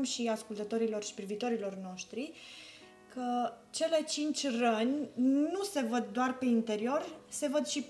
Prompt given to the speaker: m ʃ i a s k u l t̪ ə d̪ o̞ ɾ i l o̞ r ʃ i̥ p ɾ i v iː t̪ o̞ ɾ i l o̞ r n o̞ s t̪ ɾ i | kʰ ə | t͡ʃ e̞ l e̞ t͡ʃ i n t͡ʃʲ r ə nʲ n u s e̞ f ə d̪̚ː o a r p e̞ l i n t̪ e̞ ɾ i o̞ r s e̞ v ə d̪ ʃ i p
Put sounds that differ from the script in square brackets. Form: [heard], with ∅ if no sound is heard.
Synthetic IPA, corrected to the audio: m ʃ i a s k u l t̪ ə [t̪] o̞ ɾ i l o̞ r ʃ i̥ p ɾ i v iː t̪ o̞ ɾ i l o̞ r n o̞ [ʃ] t̪ ɾ i | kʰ ə | t͡ʃ e̞ l e̞ t͡ʃ i n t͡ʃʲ r ə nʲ n u s e̞ [v] ə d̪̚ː o a r p e̞ [∅] i n t̪ e̞ ɾ i o̞ r s e̞ v ə d̪ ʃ i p